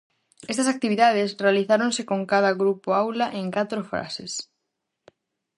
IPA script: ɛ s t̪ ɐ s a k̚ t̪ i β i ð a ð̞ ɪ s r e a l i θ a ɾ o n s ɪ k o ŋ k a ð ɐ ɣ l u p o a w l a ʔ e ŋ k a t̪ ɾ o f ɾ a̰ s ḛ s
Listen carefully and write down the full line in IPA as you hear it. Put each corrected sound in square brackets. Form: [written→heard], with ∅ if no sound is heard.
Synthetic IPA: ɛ s t̪ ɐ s a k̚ t̪ i β i ð a ð̞ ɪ s r e a l i θ a ɾ o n s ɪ k o ŋ k a ð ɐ ɣ [l→ɾ] u p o a w l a ʔ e ŋ k a t̪ ɾ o f ɾ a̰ s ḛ s